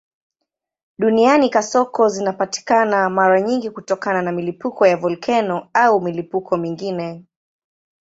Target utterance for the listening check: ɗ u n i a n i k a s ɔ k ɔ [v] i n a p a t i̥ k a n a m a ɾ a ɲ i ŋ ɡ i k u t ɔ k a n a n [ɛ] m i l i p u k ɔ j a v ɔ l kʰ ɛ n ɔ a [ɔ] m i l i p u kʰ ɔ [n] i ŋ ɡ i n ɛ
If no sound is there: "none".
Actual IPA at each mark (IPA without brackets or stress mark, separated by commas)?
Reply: z, a, u, m